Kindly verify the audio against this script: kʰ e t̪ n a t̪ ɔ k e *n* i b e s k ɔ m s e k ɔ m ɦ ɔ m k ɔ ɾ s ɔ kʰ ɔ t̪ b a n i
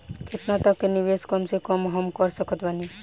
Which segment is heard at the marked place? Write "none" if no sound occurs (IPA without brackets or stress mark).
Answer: n